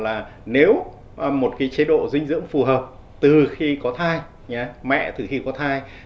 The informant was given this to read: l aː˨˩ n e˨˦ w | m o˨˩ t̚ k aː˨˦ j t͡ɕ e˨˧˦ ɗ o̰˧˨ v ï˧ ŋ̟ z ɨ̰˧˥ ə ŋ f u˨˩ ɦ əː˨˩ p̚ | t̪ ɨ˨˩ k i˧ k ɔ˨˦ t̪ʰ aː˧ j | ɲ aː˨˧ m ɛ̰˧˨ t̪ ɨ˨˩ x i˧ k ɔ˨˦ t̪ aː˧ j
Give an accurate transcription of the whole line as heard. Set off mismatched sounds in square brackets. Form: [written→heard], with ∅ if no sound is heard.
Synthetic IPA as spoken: l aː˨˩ n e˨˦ w | m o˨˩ t̚ k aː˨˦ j t͡ɕ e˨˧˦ ɗ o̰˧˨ [v→z] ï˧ ŋ̟ z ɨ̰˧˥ ə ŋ f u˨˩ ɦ əː˨˩ p̚ | t̪ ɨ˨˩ [k→x] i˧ k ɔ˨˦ t̪ʰ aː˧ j | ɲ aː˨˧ m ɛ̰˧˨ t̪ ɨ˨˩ x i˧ k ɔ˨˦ [t̪→t̪ʰ] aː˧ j